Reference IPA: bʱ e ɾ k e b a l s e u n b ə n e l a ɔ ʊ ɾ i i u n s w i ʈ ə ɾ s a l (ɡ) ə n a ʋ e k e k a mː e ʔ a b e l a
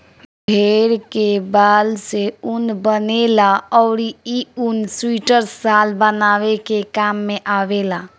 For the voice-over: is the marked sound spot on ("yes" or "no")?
no